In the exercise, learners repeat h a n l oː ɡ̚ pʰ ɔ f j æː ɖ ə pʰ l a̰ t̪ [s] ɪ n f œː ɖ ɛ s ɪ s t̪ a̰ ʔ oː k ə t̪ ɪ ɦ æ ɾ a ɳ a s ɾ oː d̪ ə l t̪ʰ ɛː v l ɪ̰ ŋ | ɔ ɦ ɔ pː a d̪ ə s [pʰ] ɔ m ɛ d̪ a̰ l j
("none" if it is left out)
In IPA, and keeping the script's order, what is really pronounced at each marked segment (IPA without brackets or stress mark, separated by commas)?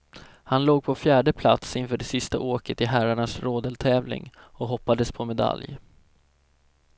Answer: s, pʰ